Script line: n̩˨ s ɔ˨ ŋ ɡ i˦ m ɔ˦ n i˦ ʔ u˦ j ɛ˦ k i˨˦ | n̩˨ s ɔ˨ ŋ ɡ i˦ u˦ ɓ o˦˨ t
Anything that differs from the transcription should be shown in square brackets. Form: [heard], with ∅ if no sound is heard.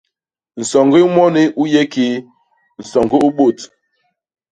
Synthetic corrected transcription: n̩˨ s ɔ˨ ŋ ɡ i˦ m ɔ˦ n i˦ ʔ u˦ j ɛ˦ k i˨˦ | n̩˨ s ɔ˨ ŋ ɡ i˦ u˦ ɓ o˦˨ t